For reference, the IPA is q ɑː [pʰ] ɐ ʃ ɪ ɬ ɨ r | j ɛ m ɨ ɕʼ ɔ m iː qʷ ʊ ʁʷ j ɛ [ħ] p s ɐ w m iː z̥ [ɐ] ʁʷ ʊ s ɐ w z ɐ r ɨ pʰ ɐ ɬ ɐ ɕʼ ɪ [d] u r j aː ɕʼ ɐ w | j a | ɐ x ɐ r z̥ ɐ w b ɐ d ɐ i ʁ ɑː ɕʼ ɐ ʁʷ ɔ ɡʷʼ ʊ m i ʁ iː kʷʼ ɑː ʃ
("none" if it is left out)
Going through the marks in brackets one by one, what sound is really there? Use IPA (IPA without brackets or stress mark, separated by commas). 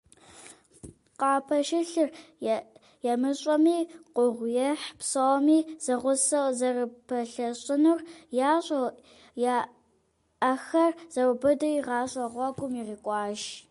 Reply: pʰ, ħ, ɐ, n